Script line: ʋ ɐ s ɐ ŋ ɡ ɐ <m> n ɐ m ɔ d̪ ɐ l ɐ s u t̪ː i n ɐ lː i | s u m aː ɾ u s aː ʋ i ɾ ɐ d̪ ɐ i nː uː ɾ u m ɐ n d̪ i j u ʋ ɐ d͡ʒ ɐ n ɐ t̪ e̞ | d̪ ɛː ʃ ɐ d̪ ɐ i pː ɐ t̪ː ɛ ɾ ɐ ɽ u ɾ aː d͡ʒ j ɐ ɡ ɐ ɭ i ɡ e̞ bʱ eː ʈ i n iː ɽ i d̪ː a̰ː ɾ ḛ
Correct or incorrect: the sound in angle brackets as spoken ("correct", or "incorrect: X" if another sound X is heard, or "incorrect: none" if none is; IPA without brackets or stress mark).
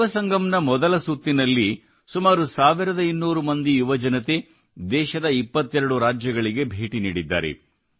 correct